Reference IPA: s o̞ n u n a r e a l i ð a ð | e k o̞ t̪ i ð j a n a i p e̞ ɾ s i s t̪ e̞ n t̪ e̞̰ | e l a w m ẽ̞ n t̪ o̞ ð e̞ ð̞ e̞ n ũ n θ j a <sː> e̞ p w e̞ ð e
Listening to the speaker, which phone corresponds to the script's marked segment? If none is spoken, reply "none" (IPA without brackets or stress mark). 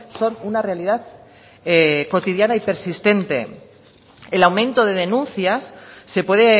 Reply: sː